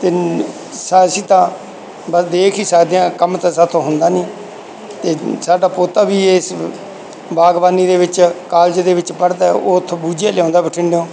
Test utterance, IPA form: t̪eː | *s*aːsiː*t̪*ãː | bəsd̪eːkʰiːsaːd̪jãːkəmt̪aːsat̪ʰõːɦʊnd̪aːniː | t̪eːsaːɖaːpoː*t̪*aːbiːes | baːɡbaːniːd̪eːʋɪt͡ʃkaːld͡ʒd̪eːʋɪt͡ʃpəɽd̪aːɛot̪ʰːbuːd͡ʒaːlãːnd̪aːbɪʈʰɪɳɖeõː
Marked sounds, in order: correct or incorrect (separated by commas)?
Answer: correct, correct, correct